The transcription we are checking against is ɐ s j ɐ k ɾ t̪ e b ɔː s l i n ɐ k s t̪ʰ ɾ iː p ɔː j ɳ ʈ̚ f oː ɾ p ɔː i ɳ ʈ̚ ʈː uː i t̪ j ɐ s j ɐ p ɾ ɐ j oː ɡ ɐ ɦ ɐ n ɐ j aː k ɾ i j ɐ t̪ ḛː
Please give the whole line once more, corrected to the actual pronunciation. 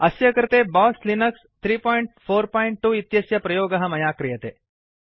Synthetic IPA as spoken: ɐ s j ɐ k ɾ t̪ e b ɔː s l i n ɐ k s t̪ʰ ɾ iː p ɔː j ɳ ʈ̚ f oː ɾ p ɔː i ɳ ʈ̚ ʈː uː i t̪ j ɐ s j ɐ p ɾ ɐ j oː ɡ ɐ ɦ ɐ m ɐ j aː k ɾ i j ɐ t̪ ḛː